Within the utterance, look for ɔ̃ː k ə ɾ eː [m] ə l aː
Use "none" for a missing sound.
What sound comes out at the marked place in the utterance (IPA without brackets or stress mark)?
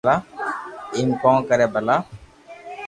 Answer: b